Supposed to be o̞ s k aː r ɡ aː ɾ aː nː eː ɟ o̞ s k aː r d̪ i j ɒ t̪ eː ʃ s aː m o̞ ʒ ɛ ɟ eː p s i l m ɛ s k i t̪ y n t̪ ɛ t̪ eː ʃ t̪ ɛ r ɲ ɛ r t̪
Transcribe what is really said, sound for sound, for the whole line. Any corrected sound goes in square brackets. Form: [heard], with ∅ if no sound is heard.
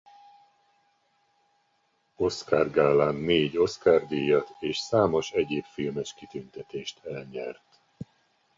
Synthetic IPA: o̞ s k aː r ɡ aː [l] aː nː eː ɟ o̞ s k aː r d̪ i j ɒ t̪ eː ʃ s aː m o̞ [ʃ] ɛ ɟ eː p [f] i l m ɛ [ʃ] k i t̪ y n t̪ ɛ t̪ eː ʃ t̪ ɛ [l] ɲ ɛ r t̪